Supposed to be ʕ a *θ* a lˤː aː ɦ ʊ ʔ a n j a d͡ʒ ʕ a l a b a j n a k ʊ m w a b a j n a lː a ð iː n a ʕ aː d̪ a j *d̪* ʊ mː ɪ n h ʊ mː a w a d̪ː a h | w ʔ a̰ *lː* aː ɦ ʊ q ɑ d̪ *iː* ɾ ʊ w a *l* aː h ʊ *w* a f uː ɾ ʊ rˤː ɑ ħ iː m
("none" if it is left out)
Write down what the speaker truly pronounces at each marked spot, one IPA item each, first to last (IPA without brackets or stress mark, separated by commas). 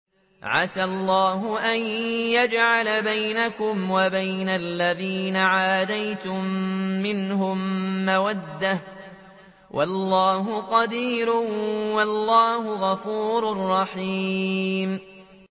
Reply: s, t̪, lː, iː, lː, ɣ